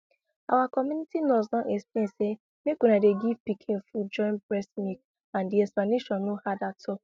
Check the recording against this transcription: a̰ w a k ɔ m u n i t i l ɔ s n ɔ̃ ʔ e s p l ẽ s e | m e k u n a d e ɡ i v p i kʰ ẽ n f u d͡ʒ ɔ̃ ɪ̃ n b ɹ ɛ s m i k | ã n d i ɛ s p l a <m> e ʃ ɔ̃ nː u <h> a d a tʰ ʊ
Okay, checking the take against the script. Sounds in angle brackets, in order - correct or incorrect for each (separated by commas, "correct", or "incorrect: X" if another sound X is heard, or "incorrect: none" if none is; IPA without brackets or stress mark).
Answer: incorrect: n, correct